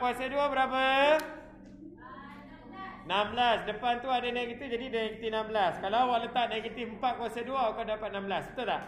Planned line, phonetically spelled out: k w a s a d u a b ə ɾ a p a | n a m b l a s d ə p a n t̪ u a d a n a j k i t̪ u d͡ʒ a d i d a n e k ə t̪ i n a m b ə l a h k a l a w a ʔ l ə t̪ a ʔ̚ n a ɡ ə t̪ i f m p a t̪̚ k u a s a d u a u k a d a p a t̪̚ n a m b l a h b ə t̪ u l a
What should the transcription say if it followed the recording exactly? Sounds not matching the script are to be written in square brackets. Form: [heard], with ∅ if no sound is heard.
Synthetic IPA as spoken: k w a s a d u a b ə ɾ a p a | n a m b l a s d ə p a n t̪ u a d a n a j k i t̪ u d͡ʒ a d i d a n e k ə t̪ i n a m b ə l a [s] k a l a w a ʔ l ə t̪ a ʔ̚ n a ɡ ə t̪ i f m p a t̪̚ k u a s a d u a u k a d a p a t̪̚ n a m b l a [s] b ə t̪ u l a

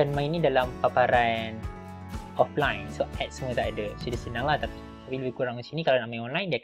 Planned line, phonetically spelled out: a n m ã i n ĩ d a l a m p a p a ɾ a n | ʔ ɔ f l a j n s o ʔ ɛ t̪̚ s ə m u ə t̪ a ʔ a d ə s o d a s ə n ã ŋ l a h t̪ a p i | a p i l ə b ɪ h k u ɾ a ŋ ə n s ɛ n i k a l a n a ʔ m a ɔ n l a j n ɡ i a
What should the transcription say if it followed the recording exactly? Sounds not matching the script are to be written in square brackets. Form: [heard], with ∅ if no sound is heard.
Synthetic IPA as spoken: a n m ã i n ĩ d a l a m p a p a ɾ a n | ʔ ɔ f l a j n s o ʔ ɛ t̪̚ s ə m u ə t̪ a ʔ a d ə s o d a s ə n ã ŋ l a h t̪ a p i | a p i l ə b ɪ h k u ɾ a ŋ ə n s [i] n i k a l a n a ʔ m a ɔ n l a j n [d] i a

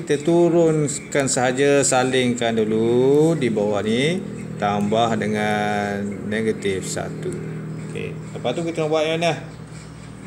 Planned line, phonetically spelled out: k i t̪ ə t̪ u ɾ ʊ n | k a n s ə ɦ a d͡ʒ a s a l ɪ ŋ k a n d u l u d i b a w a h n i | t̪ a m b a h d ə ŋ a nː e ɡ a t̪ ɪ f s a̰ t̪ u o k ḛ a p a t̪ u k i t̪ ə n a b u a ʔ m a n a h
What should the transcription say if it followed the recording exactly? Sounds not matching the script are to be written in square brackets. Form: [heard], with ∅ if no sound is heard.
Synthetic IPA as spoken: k i t̪ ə t̪ u ɾ ʊ n | k a n s ə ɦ a d͡ʒ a s a l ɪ ŋ k a n d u l u d i b a w a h n i | t̪ a m b a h d ə ŋ a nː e ɡ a t̪ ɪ f s a̰ t̪ u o k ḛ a p a t̪ u k i t̪ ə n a b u a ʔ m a n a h

